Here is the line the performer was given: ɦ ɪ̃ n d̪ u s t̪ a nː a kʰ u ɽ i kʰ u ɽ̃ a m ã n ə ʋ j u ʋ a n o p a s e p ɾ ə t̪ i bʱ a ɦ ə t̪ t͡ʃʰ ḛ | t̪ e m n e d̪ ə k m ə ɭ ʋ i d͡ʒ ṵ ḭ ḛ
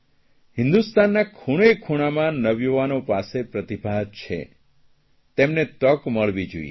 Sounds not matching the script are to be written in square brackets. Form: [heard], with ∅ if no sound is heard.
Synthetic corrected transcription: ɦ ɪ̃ n d̪ u s t̪ a nː a kʰ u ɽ [e] kʰ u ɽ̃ a m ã n ə ʋ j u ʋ a n o p a s e p ɾ ə t̪ i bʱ a ɦ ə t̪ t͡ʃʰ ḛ | t̪ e m n e [t̪] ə k m ə ɭ ʋ i d͡ʒ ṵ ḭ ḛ